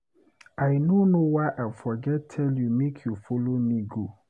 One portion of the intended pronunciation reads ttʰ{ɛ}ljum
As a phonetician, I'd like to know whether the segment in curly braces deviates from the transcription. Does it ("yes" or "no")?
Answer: no